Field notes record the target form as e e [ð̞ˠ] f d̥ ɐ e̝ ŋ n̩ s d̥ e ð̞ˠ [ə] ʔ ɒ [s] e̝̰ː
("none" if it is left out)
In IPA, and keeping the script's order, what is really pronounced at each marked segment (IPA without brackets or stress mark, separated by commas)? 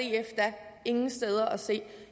none, ɐ, s